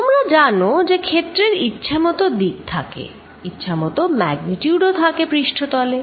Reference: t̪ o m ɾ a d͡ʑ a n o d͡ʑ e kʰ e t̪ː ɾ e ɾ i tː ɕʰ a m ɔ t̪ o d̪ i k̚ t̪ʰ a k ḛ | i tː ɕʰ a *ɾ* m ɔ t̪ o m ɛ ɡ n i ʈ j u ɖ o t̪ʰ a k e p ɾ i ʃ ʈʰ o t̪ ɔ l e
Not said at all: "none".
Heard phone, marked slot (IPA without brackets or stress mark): none